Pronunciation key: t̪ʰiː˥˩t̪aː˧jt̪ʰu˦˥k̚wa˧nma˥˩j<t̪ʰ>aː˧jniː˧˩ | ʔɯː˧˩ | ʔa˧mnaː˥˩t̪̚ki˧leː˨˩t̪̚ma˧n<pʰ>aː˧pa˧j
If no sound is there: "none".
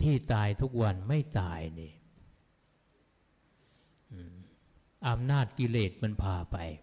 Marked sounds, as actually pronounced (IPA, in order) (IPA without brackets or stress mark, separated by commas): t̪, pʰ